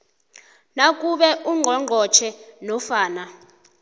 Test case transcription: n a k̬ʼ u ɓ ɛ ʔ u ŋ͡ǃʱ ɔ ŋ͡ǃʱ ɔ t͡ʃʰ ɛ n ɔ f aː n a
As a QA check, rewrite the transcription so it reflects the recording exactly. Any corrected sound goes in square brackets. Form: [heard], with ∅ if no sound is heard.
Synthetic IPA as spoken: n a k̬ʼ u ɓ ɛ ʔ u ŋ͡ǃʱ ɔ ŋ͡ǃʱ ɔ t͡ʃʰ ɛ n ɔ f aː n a